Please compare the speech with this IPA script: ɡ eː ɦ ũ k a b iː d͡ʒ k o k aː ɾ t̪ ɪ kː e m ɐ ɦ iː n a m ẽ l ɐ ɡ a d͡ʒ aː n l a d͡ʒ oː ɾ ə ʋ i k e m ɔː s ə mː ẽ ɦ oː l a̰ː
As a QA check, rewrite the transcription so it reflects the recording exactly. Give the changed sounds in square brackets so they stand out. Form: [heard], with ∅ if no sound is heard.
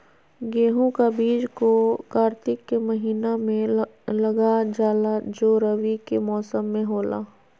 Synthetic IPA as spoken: ɡ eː ɦ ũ k a b iː d͡ʒ k o k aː ɾ t̪ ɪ kː e m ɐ ɦ iː n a m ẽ l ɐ ɡ a d͡ʒ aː [∅] l a d͡ʒ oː ɾ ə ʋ i k e m ɔː s ə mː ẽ ɦ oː l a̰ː